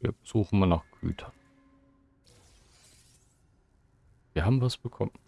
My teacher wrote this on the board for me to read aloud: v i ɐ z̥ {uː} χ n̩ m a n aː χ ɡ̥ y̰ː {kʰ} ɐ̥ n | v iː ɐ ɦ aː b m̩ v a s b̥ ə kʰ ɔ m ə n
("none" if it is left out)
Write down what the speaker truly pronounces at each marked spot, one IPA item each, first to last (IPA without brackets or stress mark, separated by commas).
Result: uː, tʰ